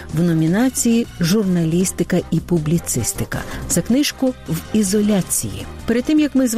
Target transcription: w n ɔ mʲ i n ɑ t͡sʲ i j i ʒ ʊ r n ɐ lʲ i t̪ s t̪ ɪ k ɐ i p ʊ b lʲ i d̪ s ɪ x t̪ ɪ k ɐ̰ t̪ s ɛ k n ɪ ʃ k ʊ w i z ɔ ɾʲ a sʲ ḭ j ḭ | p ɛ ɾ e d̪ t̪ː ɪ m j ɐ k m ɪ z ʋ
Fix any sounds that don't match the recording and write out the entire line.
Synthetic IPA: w n ɔ mʲ i n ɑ t͡sʲ i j i ʒ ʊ r n ɐ lʲ i s t̪ ɪ k ɐ i p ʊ b lʲ i t̪ s ɪ s t̪ ɪ k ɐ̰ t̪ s ɛ k n ɪ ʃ k ʊ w i z ɔ lʲ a t͡sʲ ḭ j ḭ | p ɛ ɾ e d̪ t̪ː ɪ m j ɐ k m ɪ z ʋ